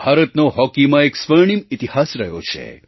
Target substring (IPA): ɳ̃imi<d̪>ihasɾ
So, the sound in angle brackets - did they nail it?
no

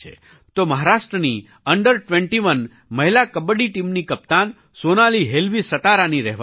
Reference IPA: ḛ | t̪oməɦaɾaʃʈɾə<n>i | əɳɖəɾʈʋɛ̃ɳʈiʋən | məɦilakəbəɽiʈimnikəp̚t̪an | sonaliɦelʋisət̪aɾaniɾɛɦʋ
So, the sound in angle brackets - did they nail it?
yes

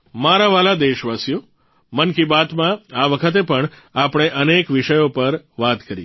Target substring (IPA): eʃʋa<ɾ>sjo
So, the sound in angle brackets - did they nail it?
no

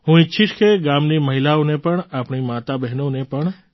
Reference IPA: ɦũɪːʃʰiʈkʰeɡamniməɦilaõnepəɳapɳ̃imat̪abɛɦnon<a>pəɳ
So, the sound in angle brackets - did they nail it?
no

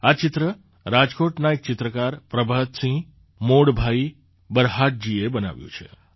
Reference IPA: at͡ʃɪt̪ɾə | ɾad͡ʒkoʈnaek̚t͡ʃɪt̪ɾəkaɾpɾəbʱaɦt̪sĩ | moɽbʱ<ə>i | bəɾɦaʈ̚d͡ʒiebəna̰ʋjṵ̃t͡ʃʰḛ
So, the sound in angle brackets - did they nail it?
no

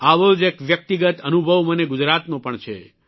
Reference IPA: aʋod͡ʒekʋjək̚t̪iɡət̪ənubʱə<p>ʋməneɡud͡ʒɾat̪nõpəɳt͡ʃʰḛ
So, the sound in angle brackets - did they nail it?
no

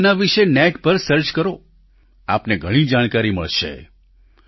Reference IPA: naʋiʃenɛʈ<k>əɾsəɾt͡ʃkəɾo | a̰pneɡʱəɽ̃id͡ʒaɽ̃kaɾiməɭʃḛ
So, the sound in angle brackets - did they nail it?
no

